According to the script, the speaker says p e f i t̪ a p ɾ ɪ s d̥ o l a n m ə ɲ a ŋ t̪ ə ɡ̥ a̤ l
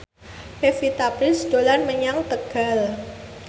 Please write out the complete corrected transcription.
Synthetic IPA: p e f i t̪ a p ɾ ɪ s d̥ o l a n m ə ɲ a ŋ t̪ ə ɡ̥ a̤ l